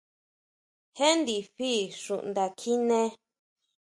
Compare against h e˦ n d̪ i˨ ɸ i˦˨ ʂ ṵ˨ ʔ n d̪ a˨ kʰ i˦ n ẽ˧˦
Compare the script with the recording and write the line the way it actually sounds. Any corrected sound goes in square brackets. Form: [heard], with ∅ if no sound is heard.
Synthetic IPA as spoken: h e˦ n d̪ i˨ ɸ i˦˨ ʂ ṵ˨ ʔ n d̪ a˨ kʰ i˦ n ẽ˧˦